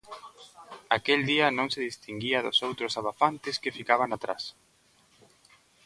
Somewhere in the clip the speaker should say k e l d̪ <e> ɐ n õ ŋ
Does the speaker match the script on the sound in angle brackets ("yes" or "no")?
no